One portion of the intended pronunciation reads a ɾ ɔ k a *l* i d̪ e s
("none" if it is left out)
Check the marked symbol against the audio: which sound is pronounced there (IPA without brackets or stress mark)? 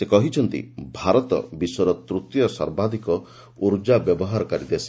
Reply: ɾ